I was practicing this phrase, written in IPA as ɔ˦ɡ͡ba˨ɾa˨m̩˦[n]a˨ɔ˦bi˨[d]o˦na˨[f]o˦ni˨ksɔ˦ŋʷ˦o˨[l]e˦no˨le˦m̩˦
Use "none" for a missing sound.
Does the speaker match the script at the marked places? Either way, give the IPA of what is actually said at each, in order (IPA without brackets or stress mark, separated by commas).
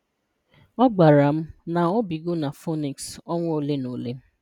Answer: n, ɡ, f, l